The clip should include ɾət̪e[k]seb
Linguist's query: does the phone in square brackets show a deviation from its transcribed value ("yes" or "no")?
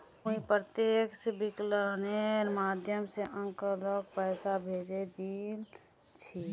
no